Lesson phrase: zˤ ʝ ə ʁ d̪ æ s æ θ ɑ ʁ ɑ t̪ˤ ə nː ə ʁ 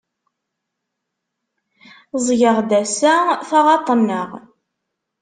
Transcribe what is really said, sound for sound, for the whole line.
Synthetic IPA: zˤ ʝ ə ʁ d̪ æ s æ θ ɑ ʁ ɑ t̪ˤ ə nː ə ʁ